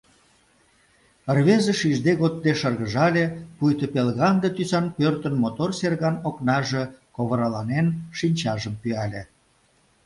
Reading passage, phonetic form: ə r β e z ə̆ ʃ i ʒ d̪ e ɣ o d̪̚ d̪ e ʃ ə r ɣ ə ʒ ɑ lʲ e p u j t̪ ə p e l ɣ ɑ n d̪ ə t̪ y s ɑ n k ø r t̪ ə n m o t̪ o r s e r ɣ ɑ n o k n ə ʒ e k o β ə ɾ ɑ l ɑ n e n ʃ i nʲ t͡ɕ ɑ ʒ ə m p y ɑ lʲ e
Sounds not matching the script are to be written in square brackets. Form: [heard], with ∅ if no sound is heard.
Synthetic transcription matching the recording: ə r β e z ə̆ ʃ i ʒ d̪ e ɣ o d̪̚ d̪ e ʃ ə r ɣ ə ʒ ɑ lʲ e p u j t̪ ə p e l ɣ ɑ n d̪ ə t̪ y s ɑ n [p] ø r t̪ ə n m o t̪ o r s e r ɣ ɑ n o k n [ɑ] ʒ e k o β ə ɾ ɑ l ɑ n e n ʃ i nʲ t͡ɕ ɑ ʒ ə m p y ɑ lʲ e